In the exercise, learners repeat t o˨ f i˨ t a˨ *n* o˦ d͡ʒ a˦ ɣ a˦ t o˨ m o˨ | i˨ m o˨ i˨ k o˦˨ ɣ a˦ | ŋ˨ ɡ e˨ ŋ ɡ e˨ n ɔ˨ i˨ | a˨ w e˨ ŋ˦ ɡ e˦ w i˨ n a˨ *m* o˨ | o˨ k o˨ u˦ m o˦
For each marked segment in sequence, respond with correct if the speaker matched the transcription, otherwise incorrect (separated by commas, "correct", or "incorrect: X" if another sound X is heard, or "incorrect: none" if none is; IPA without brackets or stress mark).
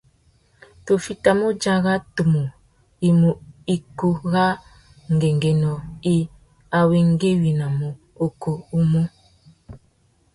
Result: incorrect: m, correct